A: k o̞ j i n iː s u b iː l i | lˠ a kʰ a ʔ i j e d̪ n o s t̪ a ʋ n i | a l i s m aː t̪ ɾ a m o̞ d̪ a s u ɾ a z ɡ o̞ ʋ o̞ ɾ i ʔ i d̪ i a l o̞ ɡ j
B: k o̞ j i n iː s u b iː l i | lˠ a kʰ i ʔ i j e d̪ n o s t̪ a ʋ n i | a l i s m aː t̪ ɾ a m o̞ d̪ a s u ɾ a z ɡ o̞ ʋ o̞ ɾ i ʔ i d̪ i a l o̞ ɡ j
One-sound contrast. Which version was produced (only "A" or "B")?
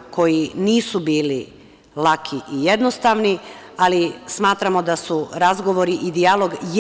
B